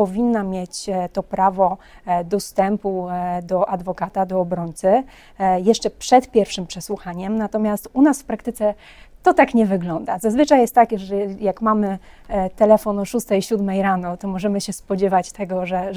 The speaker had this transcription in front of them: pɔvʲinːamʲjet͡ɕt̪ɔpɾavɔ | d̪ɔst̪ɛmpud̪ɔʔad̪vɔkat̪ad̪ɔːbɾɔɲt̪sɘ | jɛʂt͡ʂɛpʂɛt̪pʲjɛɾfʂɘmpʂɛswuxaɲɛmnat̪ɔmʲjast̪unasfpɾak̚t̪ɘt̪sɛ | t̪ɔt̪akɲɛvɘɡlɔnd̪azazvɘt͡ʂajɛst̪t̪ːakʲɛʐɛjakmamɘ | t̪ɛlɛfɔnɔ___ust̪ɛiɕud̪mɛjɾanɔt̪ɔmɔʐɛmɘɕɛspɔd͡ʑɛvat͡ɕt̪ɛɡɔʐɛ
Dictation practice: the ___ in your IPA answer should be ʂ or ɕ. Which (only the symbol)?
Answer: ʂ